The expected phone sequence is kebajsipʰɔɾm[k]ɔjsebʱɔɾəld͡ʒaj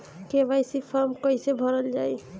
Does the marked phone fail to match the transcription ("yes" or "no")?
no